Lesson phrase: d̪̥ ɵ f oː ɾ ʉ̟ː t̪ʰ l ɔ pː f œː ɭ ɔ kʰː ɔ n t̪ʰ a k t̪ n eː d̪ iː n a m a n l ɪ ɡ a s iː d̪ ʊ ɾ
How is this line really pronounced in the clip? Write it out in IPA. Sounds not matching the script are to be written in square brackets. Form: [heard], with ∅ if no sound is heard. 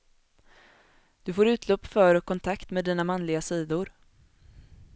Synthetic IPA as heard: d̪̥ ɵ f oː ɾ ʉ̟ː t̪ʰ l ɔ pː f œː [ɾ] ɔ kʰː ɔ n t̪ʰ a k t̪ [m] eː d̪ iː n a m a n l ɪ ɡ a s iː d̪ ʊ ɾ